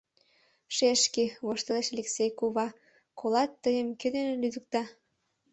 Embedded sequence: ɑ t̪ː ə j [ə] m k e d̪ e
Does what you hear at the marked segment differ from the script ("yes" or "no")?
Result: no